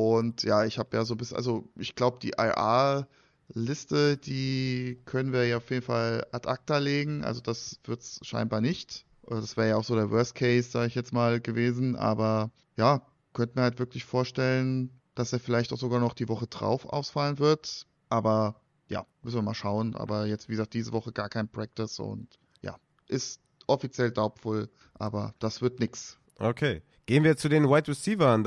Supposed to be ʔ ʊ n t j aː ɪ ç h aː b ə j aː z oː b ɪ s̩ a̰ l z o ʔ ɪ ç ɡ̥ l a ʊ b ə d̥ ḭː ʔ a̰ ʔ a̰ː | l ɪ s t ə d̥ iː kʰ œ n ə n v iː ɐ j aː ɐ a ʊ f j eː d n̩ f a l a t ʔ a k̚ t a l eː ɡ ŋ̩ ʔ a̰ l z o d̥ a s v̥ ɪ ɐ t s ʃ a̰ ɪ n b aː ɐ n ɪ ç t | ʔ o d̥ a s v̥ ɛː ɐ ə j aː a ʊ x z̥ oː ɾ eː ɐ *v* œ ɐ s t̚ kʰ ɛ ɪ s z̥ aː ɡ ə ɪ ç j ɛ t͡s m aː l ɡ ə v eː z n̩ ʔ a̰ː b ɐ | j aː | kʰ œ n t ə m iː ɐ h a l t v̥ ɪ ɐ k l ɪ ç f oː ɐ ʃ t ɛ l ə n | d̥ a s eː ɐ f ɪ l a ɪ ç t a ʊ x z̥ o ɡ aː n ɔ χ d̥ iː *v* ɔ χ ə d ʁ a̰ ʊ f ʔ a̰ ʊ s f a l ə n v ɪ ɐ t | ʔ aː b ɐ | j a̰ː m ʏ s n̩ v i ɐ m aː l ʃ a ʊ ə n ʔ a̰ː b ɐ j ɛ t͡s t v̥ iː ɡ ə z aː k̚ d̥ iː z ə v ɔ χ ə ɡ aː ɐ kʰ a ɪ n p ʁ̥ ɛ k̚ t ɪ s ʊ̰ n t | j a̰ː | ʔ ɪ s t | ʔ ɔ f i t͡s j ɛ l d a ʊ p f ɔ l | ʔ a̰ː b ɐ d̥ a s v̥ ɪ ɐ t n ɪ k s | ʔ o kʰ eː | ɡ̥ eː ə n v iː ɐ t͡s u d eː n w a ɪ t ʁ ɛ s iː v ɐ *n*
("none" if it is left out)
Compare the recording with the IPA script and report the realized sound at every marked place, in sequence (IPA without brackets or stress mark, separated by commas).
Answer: v, v, n